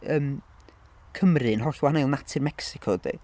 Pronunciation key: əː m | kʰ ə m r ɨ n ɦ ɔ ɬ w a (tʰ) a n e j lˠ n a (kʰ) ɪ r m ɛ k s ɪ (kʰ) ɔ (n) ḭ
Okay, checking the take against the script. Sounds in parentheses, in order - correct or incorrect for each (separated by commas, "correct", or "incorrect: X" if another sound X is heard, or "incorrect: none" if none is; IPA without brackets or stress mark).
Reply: incorrect: none, incorrect: tʰ, correct, incorrect: d